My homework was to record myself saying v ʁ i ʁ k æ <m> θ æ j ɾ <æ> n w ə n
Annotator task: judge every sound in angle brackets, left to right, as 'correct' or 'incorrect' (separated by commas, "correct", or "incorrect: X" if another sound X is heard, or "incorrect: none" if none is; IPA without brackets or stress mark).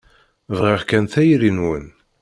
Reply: incorrect: n, incorrect: i